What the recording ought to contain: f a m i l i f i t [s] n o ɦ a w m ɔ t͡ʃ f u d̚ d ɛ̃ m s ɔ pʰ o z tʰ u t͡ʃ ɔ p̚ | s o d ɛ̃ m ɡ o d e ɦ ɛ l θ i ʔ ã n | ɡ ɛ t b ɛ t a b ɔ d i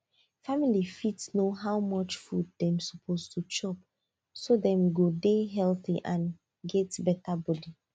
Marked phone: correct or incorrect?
correct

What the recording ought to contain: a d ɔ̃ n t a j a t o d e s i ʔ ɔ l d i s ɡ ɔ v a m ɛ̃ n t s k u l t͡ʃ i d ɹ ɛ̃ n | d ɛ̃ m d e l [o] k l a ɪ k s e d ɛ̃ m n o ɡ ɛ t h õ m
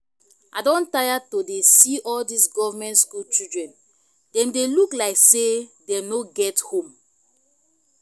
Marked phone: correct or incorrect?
incorrect: u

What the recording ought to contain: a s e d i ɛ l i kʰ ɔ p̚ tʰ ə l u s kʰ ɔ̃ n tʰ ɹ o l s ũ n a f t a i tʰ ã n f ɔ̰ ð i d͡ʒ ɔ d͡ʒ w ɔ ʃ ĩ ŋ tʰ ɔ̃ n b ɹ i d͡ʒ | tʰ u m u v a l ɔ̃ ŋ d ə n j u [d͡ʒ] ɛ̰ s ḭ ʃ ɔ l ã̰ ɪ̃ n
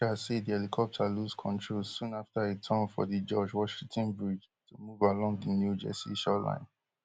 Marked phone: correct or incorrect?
correct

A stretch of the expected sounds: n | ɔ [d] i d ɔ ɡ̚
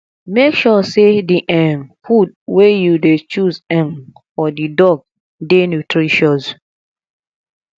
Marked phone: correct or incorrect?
correct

